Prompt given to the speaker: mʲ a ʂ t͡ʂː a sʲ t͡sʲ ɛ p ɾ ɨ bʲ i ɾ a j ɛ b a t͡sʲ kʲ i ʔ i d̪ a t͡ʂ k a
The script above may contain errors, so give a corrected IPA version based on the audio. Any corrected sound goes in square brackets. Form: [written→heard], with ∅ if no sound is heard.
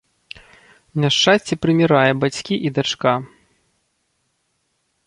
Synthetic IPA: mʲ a ʂ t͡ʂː a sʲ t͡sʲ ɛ p ɾ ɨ [bʲ→mʲ] i ɾ a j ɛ b a t͡sʲ kʲ i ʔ i d̪ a t͡ʂ k a